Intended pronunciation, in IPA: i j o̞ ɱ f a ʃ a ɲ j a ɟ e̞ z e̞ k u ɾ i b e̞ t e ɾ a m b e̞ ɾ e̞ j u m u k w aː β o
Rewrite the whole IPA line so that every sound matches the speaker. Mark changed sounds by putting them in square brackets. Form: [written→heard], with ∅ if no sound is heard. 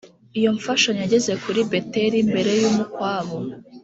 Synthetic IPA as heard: i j o̞ ɱ f a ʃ a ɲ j a ɟ e̞ z e̞ k u ɾ i b e̞ t e ɾ [a→i] m b e̞ ɾ e̞ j u m u k w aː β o

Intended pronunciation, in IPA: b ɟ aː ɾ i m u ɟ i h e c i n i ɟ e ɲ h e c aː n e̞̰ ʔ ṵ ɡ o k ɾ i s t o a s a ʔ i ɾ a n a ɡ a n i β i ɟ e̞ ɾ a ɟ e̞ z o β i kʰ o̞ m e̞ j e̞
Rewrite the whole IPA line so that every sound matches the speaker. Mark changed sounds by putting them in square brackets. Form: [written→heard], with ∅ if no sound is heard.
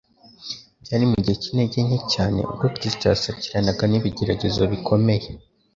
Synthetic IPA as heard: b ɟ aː ɾ i m u ɟ i h e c i n [i→e] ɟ e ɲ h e c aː n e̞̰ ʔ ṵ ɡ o k ɾ i s t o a s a [ʔ→c] i ɾ a n a ɡ a n i β i ɟ e̞ ɾ a ɟ e̞ z o β i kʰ o̞ m e̞ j e̞

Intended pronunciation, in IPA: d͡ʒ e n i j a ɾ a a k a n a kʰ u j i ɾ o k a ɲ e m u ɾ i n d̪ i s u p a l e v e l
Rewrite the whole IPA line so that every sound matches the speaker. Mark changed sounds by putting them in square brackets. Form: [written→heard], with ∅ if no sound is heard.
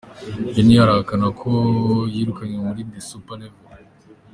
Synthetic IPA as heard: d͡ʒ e n i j a ɾ a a k a n a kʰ [u→o] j i ɾ [o→u] k a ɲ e m u ɾ i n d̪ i s u p a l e v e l

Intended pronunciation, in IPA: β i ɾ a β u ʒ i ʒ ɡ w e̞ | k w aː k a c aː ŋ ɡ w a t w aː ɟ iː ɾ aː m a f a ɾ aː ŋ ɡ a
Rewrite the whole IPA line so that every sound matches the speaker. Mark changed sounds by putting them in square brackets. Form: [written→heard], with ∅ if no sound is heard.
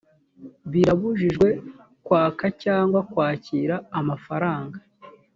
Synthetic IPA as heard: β i ɾ a β u ʒ i ʒ ɡ w e̞ | k w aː k a c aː ŋ ɡ w a [t→k] w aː [ɟ→c] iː ɾ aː m a f a ɾ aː ŋ ɡ a

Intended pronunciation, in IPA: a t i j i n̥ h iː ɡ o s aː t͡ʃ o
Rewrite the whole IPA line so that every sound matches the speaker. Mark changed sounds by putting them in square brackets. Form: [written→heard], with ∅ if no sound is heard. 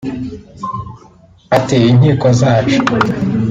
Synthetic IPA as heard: a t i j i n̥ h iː [ɡ→k] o [s→z] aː t͡ʃ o

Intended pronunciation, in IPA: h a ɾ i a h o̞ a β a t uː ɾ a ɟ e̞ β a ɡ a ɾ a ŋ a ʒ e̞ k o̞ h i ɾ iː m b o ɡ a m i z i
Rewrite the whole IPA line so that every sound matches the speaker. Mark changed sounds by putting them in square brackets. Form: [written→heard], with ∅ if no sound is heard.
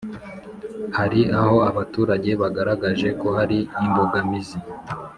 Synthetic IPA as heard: h a ɾ i a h o̞ a β a t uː ɾ a ɟ e̞ β a ɡ a ɾ a [ŋ→ɡ] a ʒ e̞ k o̞ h [i→a] ɾ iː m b o ɡ a m i z i

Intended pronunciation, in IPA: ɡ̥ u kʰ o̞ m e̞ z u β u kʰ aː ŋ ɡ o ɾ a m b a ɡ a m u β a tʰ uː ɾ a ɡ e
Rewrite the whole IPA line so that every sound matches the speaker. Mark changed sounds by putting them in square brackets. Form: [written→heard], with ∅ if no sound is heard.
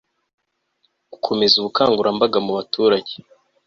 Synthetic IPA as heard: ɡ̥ u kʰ o̞ m e̞ z u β u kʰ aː ŋ ɡ [o→u] ɾ a m b a ɡ a m u β a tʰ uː ɾ a [ɡ→ɟ] e

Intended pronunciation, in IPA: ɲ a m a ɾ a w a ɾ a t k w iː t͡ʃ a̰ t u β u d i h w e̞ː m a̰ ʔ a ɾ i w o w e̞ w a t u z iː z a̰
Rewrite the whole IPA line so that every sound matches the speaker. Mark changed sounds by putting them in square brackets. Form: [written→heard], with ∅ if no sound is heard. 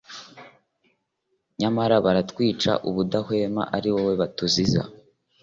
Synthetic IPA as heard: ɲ a m a ɾ a [w→β] a ɾ a t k w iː t͡ʃ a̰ [t→ʔ] u β u d [i→a] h w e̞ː m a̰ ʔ a ɾ i w o w e̞ [w→β] a t u z [iː→i] z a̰

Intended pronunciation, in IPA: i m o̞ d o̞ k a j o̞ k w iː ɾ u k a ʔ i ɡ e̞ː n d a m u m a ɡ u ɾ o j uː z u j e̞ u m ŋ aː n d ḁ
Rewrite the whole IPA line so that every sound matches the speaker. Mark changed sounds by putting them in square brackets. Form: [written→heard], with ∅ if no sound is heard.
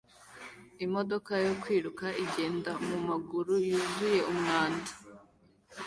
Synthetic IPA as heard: i m o̞ d o̞ k a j o̞ k w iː ɾ u k a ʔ i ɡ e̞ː n d a m u m a ɡ u ɾ [o→u] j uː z u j e̞ u m ŋ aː n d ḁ

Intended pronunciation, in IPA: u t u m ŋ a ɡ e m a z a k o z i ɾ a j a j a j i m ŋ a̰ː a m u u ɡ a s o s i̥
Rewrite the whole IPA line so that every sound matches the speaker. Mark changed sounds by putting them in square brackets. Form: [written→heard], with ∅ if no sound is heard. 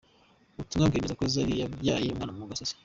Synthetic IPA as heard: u t u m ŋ a ɡ e m [a→e] z a k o z [i→a] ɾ [a→i] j a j a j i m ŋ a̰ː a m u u ɡ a s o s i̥

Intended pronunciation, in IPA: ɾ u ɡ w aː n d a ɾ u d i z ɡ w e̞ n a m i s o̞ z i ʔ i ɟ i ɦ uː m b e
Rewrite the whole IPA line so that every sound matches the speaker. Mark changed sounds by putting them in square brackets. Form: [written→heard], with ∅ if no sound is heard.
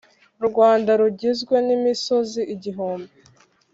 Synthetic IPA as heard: ɾ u ɡ w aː n d a ɾ u [d→ɟ] i z ɡ w e̞ n [a→i] m i s o̞ z i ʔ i ɟ i ɦ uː m b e

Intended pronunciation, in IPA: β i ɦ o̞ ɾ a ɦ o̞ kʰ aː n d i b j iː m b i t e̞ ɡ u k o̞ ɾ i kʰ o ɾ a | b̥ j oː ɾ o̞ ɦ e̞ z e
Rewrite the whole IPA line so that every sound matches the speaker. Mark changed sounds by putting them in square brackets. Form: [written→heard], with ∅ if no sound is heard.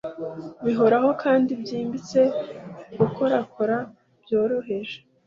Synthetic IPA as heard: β i ɦ o̞ ɾ a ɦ o̞ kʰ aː n d i b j iː m b i [t→t͡s] e̞ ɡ u k o̞ ɾ [i→a] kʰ o ɾ a | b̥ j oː ɾ o̞ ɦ e̞ [z→ʒ] e

